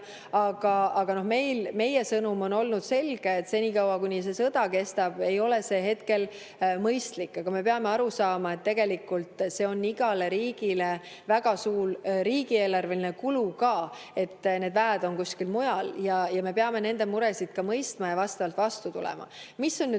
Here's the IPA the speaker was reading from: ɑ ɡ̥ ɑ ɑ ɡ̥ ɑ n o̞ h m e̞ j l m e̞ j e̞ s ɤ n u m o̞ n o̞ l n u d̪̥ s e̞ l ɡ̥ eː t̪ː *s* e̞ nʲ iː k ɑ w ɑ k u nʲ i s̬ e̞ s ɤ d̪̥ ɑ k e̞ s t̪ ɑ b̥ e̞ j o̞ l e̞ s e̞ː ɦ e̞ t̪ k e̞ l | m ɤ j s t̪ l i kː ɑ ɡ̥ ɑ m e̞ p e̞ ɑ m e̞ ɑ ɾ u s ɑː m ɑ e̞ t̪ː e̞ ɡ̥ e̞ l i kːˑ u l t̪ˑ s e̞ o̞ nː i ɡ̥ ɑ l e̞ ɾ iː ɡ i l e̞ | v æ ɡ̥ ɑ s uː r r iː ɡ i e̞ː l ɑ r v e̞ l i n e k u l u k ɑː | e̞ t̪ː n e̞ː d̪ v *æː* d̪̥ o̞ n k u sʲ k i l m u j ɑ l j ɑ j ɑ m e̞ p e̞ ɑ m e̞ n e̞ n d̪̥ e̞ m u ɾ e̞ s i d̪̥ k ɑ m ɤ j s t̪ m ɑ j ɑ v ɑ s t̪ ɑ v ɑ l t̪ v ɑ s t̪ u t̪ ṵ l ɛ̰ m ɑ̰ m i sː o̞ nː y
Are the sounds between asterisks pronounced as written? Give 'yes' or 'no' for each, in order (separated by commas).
yes, yes